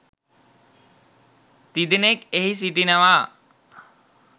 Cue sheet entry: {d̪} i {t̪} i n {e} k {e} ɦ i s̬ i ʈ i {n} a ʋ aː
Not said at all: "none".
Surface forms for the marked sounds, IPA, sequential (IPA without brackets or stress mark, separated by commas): t̪, d̪, e, e, n